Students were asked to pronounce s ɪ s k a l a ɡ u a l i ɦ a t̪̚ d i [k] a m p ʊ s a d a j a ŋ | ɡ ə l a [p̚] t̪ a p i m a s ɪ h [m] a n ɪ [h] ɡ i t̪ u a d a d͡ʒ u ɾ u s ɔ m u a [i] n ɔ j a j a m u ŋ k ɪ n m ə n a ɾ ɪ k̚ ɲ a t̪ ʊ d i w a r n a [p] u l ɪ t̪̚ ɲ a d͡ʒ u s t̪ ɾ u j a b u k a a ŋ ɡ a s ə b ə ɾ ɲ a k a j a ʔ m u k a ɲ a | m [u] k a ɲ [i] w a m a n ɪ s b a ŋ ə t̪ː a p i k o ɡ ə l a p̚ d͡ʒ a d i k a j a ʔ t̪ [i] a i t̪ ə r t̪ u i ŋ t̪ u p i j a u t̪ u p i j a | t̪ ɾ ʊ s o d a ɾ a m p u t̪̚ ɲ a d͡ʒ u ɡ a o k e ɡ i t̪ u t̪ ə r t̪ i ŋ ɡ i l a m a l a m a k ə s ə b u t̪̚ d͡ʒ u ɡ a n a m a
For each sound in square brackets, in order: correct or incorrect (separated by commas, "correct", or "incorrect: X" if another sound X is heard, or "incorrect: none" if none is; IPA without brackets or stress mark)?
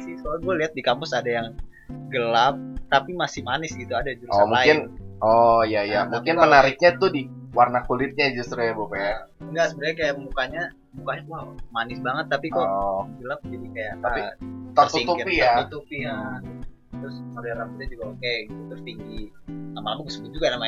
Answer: correct, correct, correct, incorrect: s, incorrect: ɪ, incorrect: k, correct, incorrect: a, incorrect: a